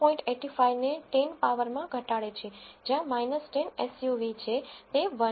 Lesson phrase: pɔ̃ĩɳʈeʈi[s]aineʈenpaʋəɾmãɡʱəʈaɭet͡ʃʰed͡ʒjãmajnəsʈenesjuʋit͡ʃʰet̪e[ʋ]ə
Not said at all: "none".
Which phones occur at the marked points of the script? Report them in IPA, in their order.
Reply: f, ʋ

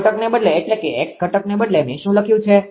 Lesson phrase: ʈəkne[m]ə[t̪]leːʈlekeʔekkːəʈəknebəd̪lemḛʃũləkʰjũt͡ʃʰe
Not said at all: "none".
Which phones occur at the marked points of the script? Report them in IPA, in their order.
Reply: b, d̪

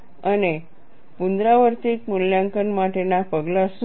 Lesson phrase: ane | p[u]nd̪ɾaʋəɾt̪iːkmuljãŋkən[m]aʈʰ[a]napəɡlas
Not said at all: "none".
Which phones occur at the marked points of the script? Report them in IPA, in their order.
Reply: u, m, e

